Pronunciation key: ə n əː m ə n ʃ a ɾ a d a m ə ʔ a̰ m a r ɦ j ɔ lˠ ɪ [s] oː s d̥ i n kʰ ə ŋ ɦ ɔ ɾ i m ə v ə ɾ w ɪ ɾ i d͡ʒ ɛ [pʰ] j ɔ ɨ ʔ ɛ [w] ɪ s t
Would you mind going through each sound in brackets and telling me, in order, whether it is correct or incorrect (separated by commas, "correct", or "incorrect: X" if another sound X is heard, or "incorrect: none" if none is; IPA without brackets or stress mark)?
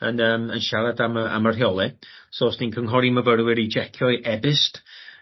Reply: correct, incorrect: kʰ, incorrect: b